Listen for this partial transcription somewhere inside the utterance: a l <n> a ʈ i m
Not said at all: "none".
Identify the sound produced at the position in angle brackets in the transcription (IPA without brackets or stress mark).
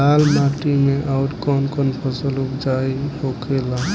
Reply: m